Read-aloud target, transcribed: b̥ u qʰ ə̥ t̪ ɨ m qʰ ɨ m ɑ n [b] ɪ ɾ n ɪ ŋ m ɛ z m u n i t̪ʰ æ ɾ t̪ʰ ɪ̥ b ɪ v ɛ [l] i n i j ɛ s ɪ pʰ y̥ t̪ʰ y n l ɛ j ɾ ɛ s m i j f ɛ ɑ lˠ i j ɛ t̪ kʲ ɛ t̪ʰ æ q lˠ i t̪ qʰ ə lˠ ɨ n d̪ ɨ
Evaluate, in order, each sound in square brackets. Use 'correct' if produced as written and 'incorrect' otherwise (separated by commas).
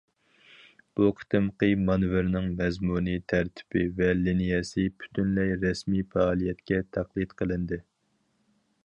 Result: incorrect, correct